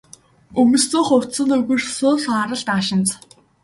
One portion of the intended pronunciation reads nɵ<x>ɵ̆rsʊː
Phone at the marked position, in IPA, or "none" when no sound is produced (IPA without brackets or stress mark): ɣ